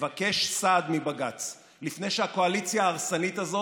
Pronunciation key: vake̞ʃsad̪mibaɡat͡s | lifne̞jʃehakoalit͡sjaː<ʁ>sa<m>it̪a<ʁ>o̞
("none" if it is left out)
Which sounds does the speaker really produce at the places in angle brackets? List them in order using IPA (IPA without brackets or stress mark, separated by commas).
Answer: ʁ, n, z